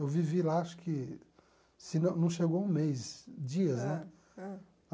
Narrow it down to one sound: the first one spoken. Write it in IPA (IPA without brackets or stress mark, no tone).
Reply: e